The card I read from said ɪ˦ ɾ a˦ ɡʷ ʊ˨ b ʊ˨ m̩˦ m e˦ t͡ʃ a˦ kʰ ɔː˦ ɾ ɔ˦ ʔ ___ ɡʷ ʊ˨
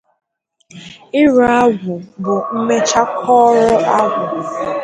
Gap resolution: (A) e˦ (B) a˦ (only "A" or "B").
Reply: B